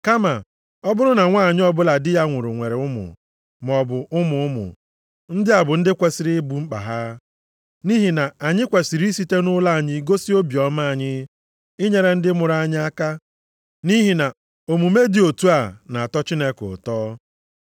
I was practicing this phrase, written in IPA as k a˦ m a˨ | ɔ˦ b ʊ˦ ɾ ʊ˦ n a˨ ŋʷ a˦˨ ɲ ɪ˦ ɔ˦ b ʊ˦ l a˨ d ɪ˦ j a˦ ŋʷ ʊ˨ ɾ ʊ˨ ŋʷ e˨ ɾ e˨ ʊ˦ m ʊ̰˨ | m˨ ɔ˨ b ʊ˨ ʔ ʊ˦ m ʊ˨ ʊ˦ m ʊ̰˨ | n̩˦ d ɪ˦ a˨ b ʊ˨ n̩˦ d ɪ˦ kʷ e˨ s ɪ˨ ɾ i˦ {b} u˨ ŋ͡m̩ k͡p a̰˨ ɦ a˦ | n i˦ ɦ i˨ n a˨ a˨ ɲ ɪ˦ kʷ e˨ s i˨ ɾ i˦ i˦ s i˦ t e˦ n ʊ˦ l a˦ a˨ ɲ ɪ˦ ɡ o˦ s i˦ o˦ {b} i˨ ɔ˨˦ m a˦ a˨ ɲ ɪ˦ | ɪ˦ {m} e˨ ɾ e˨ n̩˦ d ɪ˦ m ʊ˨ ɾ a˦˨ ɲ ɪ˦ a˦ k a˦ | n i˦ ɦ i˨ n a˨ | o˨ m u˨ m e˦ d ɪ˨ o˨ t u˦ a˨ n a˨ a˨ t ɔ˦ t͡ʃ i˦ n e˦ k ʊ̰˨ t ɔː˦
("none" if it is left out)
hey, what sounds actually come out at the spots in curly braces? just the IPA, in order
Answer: b, b, ɲ

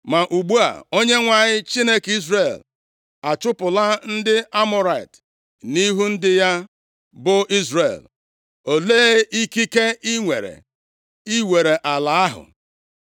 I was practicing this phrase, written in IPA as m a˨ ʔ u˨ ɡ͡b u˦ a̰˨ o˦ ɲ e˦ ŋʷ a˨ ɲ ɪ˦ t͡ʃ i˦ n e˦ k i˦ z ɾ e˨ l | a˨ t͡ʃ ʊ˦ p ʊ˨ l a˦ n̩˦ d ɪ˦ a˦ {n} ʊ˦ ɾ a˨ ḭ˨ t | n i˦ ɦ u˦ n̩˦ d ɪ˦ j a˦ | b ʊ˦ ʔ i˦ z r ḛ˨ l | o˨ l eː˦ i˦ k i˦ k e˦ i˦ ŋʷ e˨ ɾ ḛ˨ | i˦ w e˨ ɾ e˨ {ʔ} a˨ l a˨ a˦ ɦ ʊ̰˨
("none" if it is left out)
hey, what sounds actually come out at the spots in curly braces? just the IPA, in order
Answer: m, ʔ

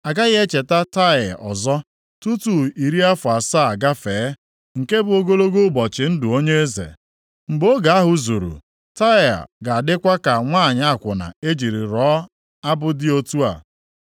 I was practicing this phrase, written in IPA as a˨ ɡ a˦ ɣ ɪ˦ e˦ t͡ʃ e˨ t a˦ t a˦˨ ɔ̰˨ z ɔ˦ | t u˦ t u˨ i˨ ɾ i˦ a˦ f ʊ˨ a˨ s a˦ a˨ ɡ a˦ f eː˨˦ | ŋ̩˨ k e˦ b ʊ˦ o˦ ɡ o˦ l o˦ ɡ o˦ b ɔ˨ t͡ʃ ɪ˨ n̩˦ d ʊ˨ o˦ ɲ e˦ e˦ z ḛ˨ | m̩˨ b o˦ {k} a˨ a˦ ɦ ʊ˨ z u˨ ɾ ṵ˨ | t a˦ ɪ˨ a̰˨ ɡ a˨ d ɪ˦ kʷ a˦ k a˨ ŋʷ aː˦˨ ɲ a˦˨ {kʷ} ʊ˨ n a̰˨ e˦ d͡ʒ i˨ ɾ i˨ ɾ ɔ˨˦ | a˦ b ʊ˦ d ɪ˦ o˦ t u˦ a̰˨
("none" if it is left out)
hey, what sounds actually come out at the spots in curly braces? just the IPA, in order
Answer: ɡ, kʷ

